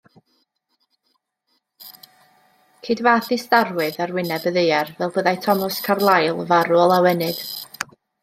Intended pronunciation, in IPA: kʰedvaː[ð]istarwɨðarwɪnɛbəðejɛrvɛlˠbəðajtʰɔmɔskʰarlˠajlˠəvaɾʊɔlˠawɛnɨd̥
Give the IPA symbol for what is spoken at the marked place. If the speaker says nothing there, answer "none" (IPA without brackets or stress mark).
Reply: θ